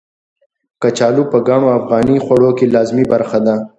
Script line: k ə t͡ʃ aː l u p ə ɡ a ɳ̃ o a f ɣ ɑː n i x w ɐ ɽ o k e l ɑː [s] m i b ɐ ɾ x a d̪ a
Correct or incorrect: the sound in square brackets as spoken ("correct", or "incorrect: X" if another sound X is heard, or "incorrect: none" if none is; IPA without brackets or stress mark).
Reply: incorrect: z